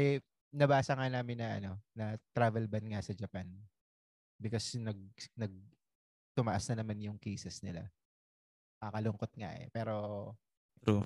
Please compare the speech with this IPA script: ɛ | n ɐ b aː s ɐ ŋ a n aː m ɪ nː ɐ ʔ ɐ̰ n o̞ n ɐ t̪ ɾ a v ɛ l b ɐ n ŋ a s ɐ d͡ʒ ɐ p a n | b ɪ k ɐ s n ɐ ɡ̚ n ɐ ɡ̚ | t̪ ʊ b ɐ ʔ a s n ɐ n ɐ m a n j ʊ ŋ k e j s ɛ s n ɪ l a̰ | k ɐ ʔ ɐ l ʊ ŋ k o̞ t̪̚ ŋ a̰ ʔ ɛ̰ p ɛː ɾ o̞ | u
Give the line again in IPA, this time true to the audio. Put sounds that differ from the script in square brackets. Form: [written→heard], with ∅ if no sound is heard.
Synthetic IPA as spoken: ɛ | n ɐ b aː s ɐ ŋ a n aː m ɪ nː ɐ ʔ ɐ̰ n o̞ n ɐ t̪ ɾ a v ɛ l b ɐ n ŋ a s ɐ d͡ʒ ɐ p a n | b ɪ k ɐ s n ɐ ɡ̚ n ɐ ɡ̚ | t̪ ʊ [b→m] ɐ ʔ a s n ɐ n ɐ m a n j ʊ ŋ k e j s ɛ s n ɪ l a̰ | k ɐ [ʔ→k] ɐ l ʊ ŋ k o̞ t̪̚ ŋ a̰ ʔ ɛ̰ p ɛː ɾ o̞ | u